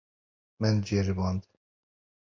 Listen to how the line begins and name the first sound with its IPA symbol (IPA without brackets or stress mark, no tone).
m